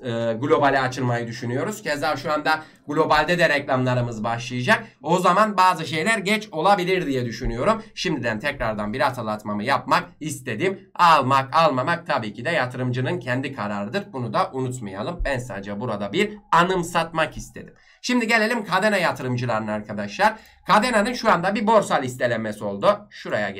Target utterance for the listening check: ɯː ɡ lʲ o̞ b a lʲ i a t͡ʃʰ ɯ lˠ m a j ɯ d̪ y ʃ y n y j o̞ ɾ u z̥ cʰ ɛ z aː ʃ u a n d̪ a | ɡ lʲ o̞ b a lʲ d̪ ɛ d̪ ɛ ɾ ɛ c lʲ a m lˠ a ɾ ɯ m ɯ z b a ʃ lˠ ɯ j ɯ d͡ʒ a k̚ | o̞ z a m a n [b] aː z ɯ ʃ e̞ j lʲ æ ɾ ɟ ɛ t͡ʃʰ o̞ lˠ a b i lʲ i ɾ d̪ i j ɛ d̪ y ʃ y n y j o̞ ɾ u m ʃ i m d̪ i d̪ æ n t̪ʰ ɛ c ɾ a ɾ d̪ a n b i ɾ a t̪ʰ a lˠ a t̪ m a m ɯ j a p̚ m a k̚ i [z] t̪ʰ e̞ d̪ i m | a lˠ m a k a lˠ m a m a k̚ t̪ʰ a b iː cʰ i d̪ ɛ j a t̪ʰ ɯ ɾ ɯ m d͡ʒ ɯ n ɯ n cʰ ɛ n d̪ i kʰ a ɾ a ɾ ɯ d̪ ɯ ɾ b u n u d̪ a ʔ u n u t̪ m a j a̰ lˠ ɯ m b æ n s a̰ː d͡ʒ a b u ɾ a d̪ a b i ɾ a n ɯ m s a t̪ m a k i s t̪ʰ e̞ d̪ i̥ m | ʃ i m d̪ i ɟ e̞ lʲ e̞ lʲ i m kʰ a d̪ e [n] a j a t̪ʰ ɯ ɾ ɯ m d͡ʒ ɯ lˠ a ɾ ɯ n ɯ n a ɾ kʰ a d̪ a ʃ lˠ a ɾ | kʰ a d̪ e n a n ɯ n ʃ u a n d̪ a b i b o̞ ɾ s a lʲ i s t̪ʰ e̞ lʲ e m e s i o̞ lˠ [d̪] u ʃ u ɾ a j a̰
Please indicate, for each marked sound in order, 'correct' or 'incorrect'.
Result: correct, incorrect, correct, correct

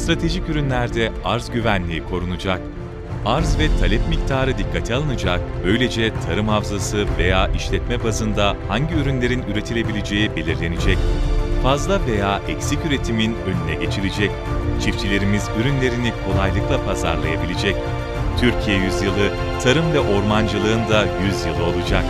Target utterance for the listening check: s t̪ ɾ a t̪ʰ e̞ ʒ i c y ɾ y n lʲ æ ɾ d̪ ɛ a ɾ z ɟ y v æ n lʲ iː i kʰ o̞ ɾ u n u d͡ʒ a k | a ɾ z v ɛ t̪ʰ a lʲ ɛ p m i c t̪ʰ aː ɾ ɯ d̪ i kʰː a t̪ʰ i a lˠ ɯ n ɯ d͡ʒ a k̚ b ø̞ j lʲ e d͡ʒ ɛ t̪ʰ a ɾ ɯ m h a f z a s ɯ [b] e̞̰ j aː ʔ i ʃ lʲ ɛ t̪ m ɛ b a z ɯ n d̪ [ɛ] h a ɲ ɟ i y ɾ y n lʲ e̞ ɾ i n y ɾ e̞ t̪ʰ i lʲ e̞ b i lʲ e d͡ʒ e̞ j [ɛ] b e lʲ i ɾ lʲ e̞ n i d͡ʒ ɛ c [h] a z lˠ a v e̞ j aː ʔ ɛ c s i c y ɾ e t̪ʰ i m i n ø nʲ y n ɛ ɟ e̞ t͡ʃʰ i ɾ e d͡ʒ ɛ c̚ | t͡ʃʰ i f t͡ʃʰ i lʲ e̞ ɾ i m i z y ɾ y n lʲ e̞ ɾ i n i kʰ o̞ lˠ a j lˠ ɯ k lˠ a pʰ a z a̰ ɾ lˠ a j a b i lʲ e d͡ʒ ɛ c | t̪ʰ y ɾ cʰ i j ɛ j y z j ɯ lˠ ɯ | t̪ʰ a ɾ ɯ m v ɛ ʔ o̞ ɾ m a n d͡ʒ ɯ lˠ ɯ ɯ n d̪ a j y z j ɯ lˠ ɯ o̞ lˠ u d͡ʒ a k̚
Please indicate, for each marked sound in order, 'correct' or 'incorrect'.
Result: incorrect, incorrect, incorrect, incorrect

